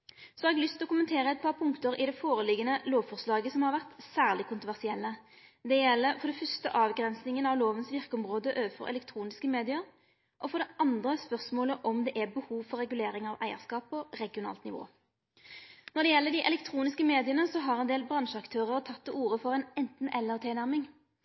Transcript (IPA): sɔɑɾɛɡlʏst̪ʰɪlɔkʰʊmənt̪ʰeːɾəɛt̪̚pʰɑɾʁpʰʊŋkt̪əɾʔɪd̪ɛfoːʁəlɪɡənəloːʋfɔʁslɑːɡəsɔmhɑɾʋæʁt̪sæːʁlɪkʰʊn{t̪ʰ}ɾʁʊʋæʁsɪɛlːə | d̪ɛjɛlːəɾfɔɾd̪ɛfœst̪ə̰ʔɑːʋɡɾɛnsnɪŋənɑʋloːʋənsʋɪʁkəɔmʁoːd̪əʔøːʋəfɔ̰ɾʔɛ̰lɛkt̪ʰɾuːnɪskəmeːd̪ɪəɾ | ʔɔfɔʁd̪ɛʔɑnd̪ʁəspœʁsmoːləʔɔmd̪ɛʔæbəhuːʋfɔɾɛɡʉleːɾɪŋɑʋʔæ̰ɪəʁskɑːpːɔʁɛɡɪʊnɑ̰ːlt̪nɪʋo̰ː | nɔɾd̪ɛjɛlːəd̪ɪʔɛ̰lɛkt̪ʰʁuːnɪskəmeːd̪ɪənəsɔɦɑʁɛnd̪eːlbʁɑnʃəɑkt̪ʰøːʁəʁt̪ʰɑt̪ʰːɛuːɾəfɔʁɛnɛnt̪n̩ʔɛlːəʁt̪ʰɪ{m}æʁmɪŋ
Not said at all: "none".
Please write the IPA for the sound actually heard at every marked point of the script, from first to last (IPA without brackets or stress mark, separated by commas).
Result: t̪, n